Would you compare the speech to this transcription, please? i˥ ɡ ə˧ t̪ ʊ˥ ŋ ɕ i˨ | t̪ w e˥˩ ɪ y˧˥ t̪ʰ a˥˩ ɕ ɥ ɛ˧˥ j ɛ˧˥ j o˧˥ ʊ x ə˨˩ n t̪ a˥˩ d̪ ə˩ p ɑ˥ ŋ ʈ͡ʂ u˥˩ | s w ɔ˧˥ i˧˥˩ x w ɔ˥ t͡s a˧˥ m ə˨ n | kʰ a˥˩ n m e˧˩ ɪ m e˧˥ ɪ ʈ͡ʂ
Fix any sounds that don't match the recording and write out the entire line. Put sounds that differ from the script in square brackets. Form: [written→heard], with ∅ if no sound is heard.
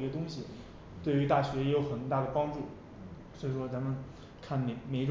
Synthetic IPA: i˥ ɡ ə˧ t̪ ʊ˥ ŋ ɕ i˨ | t̪ w e˥˩ ɪ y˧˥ [t̪ʰ→t̪] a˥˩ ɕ ɥ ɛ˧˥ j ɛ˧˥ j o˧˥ ʊ x ə˨˩ n t̪ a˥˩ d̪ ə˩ p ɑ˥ ŋ ʈ͡ʂ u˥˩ | s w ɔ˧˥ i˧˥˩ [x→ʂ] w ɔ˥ t͡s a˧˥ m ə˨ n | kʰ a˥˩ n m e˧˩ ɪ m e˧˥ ɪ ʈ͡ʂ